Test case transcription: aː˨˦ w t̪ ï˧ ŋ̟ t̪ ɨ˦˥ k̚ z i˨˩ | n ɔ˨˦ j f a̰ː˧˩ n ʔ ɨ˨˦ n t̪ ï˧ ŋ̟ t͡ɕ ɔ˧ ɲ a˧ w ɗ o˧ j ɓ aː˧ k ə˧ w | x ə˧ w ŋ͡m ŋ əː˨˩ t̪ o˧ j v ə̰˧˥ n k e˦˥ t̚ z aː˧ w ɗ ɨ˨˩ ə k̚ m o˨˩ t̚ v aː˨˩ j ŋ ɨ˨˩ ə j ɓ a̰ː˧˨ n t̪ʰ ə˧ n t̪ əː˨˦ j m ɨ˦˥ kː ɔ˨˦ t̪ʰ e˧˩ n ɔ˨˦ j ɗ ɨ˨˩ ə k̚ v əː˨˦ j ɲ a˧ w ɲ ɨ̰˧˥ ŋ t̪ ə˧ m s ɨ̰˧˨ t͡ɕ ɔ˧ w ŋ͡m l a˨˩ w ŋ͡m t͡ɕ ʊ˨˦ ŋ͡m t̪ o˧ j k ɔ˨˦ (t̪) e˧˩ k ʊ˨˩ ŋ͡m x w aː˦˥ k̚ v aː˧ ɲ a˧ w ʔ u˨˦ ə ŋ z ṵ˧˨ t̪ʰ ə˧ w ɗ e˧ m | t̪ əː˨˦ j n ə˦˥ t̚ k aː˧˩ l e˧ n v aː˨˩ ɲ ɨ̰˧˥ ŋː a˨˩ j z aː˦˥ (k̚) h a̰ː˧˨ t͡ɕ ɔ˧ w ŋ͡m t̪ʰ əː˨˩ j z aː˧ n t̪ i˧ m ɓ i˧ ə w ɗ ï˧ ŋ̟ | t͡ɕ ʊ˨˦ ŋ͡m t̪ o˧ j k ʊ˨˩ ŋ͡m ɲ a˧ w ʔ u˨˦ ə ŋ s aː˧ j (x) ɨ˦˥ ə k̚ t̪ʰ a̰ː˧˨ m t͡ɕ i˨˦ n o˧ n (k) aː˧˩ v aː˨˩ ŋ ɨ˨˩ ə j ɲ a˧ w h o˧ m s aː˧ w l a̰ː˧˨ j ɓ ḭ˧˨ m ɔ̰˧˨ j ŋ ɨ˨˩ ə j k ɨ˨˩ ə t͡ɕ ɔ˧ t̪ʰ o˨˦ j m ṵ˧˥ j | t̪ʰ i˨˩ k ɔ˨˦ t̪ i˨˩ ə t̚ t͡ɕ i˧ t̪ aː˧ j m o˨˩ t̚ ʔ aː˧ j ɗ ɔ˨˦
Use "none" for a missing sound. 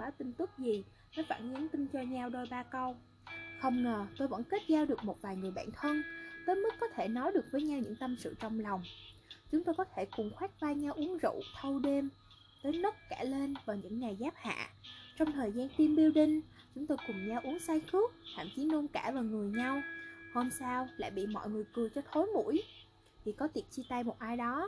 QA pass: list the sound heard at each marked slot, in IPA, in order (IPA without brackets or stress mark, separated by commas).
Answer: t̪ʰ, p̚, x, k